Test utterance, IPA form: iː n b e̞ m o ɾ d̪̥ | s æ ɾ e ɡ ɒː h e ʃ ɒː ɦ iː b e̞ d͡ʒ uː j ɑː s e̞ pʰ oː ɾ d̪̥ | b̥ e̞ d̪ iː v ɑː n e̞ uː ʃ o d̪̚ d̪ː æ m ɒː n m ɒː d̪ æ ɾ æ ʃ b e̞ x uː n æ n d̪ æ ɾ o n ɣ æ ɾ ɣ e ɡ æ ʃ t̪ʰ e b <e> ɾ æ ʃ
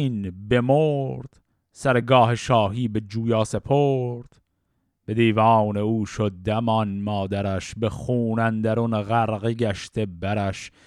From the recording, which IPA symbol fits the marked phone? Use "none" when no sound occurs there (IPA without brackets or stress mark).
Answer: æ